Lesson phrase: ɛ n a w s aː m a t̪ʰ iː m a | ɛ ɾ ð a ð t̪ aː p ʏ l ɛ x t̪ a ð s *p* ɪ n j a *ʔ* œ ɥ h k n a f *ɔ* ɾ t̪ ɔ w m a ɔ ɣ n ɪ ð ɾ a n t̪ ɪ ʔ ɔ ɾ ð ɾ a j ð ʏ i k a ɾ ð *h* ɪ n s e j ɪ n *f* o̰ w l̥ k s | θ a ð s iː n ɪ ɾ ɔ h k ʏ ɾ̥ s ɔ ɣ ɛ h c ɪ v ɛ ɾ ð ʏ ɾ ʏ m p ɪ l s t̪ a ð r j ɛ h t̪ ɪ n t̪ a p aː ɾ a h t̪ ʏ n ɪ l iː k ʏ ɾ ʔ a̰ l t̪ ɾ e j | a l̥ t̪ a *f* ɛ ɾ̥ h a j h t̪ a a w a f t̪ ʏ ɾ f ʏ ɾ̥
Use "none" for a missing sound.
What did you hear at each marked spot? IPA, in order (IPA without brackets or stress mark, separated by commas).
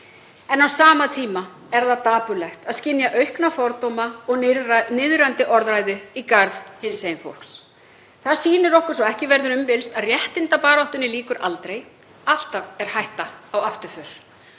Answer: c, ʔ, ɔ, h, f, v